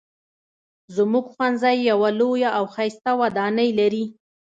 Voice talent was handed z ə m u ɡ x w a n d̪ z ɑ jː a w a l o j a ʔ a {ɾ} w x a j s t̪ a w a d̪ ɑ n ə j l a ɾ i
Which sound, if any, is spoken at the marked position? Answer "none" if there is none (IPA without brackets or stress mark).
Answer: none